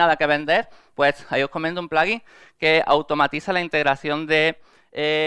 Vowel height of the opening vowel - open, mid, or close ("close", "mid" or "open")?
open